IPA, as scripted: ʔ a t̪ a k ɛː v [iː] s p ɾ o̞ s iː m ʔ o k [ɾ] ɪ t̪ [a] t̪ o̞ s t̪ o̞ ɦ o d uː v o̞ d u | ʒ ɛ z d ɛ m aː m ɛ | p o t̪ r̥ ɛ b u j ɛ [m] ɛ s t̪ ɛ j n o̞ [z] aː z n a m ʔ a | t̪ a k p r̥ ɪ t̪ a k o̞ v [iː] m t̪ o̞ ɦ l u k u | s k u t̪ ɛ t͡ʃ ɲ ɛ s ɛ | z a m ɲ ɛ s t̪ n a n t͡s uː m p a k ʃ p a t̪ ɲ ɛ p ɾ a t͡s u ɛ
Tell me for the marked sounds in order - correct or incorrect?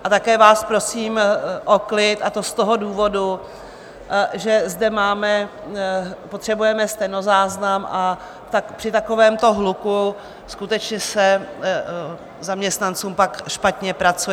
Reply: incorrect, incorrect, correct, correct, correct, incorrect

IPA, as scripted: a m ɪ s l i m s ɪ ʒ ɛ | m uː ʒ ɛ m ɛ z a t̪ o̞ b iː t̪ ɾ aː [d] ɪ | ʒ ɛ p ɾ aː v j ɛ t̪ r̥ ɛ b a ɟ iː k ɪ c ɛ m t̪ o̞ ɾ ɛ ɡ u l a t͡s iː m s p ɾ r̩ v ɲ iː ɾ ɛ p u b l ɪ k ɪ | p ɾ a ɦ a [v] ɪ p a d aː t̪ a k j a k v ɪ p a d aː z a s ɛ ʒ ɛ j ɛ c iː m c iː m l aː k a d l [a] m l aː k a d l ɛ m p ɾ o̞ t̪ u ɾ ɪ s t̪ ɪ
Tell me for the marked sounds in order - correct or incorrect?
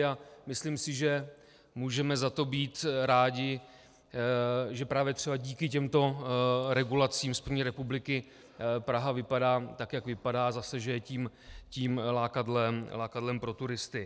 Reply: incorrect, correct, incorrect

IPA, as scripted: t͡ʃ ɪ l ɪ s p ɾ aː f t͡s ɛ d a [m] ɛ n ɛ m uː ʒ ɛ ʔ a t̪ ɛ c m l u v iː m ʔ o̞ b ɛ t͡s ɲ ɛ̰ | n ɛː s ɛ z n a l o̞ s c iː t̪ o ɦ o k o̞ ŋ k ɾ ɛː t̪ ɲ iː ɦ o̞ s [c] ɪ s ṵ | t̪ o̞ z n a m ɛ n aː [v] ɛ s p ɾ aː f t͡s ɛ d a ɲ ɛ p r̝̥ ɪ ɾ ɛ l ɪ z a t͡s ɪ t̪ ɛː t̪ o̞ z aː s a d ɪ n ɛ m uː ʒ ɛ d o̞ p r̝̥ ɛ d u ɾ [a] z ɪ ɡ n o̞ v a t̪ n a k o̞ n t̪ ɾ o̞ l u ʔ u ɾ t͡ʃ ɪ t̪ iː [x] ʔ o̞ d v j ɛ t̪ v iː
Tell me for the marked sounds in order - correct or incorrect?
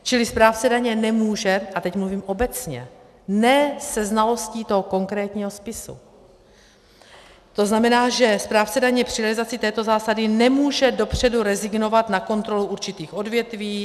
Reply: incorrect, incorrect, incorrect, incorrect, correct

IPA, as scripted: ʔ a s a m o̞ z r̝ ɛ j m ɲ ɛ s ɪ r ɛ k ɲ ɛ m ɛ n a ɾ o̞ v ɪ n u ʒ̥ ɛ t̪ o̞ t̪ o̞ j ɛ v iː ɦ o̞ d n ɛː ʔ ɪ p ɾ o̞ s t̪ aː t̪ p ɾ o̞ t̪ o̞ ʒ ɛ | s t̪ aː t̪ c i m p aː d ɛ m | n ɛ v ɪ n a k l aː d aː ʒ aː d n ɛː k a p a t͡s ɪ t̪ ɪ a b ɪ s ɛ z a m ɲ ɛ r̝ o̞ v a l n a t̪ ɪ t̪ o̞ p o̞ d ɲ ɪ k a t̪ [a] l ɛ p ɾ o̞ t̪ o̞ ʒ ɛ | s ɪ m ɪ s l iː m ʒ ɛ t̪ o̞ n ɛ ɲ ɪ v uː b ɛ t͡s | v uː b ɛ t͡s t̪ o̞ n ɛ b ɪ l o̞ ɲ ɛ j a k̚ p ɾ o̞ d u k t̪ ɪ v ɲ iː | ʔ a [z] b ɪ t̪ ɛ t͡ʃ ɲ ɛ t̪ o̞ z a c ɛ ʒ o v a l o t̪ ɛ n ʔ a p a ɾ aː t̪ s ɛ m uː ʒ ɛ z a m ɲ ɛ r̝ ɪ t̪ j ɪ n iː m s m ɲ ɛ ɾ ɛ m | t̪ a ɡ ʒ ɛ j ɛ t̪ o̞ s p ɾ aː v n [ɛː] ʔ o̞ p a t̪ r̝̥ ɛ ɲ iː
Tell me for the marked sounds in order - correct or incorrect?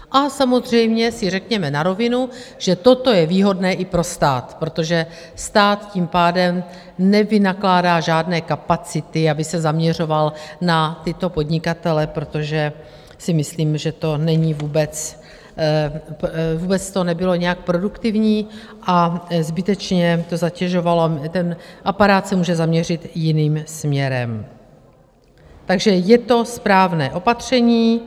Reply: incorrect, correct, correct

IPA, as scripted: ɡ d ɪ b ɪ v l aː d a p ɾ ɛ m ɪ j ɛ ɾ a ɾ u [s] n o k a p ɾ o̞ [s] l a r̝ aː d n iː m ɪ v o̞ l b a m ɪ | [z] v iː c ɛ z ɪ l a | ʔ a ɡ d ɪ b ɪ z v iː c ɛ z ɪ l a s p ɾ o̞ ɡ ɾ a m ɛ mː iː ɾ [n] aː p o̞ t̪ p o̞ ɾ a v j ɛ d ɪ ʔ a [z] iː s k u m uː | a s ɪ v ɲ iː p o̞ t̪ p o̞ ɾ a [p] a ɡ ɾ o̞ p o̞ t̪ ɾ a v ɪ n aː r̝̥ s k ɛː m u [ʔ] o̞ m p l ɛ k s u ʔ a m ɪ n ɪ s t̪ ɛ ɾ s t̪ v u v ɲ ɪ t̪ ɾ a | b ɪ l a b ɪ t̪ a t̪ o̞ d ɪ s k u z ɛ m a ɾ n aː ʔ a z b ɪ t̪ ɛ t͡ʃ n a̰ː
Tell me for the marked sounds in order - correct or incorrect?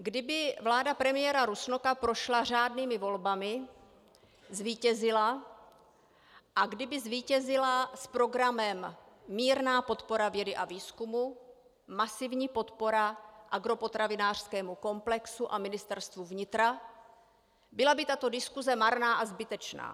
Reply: correct, incorrect, correct, correct, incorrect, incorrect, incorrect

